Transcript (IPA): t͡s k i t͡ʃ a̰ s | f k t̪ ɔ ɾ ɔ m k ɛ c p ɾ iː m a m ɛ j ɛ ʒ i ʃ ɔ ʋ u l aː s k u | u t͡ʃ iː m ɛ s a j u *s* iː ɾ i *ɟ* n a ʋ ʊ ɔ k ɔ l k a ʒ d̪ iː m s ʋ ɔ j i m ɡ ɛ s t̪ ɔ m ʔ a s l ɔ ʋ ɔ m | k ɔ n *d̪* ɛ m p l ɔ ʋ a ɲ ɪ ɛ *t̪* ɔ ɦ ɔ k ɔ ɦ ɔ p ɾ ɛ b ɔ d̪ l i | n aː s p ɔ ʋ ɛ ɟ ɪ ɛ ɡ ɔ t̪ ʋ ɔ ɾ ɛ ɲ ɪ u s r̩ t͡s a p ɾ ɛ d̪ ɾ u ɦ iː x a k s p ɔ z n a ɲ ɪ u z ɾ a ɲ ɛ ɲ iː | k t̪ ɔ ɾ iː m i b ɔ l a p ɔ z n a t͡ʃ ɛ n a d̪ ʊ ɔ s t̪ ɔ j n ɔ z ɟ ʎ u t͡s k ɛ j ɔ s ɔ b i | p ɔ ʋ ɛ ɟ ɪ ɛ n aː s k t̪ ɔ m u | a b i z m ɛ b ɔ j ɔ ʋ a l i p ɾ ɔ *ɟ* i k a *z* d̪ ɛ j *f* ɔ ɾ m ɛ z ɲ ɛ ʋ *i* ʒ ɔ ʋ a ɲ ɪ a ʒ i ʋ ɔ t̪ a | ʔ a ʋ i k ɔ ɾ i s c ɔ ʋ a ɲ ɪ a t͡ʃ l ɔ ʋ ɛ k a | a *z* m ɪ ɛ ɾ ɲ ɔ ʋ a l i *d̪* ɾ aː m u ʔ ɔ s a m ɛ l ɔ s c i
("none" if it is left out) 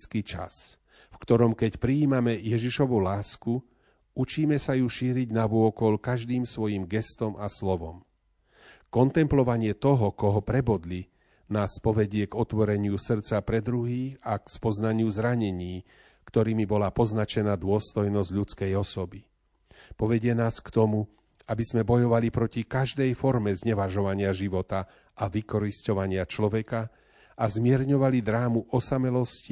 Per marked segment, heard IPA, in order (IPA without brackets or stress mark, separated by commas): ʃ, ɟ, t̪, t̪, c, ʒ, f, a, z, d̪